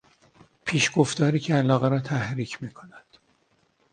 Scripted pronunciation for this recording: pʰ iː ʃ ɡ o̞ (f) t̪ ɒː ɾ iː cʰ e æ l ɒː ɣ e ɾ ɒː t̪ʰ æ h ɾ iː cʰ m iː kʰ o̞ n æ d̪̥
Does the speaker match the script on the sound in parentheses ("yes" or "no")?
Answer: yes